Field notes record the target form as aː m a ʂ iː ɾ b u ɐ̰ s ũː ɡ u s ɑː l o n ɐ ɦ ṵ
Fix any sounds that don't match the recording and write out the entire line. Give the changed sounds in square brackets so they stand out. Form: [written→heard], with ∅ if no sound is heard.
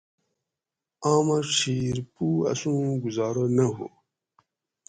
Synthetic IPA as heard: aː m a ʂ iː ɾ [b→p] u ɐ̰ s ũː ɡ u [s→z] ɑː [l→ɾ] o n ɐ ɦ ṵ